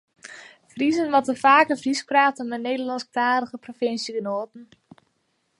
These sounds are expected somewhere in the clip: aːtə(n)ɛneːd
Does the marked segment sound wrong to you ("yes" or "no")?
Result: yes